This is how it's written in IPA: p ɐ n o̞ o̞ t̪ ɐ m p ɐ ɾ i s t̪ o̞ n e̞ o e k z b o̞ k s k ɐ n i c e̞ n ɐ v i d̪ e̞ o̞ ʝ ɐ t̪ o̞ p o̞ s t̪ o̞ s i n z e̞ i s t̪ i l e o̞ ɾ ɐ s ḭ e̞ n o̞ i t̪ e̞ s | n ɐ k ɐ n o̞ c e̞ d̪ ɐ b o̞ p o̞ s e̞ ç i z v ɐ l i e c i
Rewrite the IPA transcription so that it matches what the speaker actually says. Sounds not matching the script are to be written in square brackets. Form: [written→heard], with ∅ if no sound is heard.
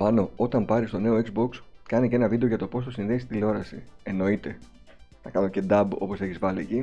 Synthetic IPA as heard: p ɐ n o̞ o̞ t̪ ɐ m p ɐ ɾ i s t̪ o̞ n e̞ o e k z b o̞ k s k ɐ n i c e̞ n ɐ v i d̪ e̞ o̞ ʝ ɐ t̪ o̞ p o̞ s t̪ o̞ s i n [z→ð] e̞ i s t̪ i l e o̞ ɾ ɐ s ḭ e̞ n o̞ i t̪ e̞ [s→∅] | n ɐ k ɐ n o̞ c e̞ d̪ ɐ b o̞ p o̞ s e̞ ç i z v ɐ l i e c i